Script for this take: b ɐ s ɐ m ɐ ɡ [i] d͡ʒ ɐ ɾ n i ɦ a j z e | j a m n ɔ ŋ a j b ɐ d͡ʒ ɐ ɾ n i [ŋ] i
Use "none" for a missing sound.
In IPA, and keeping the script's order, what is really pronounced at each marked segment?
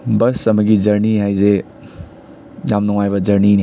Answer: i, n

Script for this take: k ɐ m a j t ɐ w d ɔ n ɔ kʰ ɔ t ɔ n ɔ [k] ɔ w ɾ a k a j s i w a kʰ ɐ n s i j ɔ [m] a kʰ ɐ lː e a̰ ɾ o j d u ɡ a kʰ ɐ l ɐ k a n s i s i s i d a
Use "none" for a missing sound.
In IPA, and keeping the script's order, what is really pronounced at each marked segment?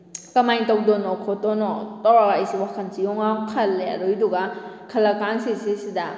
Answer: t, ŋ

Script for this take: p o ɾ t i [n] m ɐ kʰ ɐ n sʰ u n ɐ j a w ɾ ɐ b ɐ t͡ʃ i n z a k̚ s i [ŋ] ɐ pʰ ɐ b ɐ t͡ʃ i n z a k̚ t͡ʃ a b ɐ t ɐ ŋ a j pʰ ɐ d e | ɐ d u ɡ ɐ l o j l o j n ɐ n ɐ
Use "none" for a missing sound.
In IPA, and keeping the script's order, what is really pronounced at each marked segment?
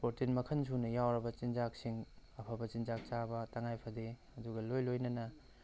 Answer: n, ŋ

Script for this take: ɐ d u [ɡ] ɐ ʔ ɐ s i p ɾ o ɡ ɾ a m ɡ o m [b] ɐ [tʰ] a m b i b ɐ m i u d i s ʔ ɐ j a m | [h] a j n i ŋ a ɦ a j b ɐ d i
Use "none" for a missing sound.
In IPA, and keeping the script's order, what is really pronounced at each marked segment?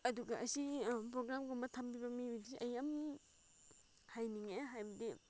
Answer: ɡ, b, tʰ, h

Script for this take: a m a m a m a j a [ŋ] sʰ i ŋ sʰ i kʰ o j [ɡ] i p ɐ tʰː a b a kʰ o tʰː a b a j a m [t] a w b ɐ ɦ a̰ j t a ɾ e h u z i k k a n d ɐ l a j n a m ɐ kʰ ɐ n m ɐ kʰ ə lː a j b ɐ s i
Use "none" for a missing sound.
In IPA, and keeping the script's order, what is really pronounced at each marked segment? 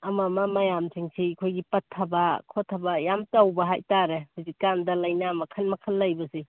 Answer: m, ɡ, t

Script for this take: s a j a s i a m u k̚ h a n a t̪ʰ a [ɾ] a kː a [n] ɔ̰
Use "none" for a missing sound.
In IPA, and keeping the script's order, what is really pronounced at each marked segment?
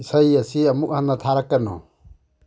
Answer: ɾ, n

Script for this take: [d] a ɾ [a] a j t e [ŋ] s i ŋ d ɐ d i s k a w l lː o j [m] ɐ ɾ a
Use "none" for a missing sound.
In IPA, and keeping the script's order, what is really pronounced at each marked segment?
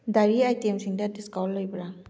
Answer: d, i, m, b

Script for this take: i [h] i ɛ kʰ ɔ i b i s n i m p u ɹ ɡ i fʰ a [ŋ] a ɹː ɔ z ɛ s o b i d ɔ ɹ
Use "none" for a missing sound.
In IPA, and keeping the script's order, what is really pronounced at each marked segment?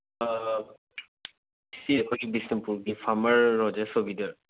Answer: s, m

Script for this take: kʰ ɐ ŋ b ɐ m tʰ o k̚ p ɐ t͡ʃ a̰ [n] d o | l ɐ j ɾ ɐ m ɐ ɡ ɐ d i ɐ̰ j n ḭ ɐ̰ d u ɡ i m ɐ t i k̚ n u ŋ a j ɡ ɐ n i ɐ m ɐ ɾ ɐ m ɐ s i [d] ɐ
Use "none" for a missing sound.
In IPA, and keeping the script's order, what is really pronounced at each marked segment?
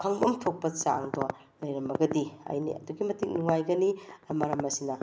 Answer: ŋ, n

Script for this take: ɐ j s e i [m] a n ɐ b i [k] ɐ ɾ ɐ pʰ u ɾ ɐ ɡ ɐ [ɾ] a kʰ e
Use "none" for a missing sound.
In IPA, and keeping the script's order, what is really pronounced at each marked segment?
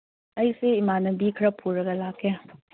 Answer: m, kʰ, l

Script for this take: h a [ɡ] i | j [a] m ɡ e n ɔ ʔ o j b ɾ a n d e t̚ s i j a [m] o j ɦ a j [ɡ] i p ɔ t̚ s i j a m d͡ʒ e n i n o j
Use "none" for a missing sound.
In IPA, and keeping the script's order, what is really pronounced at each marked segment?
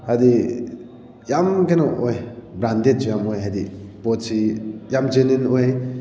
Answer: d, a, m, d

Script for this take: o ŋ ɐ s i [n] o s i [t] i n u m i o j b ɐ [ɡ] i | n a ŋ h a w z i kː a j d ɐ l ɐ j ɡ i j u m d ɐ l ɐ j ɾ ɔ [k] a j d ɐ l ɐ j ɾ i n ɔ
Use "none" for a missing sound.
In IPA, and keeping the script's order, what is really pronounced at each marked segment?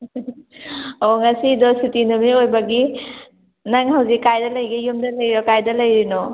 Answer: d, t, ɡ, k

